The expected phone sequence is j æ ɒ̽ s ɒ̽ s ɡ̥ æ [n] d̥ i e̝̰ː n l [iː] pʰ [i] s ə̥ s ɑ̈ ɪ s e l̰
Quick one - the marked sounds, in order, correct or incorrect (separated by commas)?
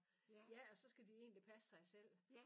incorrect, incorrect, incorrect